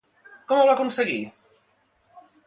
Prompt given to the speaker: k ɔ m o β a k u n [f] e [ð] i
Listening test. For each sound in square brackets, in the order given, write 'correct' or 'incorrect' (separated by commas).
incorrect, incorrect